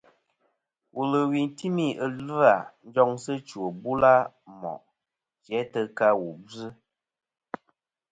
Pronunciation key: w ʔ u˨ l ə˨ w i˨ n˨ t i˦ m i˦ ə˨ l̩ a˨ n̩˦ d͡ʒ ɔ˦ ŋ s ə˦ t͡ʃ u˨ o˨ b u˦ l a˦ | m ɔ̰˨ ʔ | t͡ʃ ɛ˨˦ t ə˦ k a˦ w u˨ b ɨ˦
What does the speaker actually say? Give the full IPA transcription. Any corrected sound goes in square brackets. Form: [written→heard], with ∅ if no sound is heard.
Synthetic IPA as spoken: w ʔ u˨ l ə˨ w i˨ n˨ t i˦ m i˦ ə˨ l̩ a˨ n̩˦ d͡ʒ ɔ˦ ŋ s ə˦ t͡ʃ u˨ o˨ b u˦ l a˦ | m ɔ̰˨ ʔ | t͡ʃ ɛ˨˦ t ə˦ k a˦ w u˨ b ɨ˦